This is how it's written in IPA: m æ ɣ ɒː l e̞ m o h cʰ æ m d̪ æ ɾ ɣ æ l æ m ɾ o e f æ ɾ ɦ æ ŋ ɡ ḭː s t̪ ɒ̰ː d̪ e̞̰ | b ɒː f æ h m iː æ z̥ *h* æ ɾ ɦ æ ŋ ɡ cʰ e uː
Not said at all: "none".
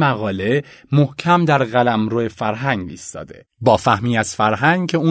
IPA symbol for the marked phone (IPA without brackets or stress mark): f